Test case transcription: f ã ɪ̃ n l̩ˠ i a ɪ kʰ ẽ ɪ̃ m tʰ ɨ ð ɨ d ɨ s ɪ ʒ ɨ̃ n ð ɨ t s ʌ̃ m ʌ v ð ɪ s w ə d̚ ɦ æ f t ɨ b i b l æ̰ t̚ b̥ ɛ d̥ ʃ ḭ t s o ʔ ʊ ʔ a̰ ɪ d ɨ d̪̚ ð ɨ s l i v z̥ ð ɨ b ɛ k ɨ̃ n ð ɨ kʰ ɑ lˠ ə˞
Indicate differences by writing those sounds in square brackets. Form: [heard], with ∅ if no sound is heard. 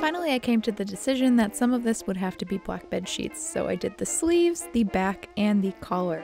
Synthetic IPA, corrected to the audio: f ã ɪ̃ n l̩ˠ i a ɪ kʰ ẽ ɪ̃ m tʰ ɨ ð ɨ d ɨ s ɪ ʒ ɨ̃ n ð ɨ t s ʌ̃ m ʌ v ð ɪ s w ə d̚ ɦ æ f t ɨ b i b l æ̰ [k̚] b̥ ɛ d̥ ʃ ḭ t s o [∅] ʊ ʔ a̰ ɪ d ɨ d̪̚ ð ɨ s l i v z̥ ð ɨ b [æ] k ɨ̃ n ð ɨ kʰ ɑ lˠ ə˞

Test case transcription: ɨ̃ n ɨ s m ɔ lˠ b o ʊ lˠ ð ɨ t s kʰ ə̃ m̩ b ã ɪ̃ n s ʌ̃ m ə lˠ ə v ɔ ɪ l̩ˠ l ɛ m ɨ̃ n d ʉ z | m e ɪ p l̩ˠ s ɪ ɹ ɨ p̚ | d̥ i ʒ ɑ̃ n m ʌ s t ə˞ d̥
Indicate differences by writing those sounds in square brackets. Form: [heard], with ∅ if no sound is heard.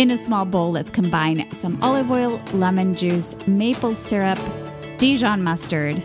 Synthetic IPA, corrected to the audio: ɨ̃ n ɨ s m ɔ lˠ b o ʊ lˠ ð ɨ t s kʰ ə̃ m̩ b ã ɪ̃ n s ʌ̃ m [ɑ] lˠ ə v ɔ ɪ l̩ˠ l ɛ m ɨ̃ n [d͡ʒ] ʉ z | m e ɪ p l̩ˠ s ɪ ɹ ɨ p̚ | d̥ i ʒ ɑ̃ n m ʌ s t ə˞ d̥

